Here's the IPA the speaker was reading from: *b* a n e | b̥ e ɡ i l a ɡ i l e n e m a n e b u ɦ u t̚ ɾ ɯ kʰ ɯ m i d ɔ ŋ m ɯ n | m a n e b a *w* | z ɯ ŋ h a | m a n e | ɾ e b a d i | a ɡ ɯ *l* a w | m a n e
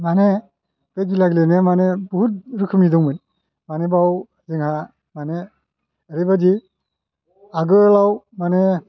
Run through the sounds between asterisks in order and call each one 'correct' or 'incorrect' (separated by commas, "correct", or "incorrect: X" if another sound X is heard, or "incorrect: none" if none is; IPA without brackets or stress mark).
incorrect: m, correct, correct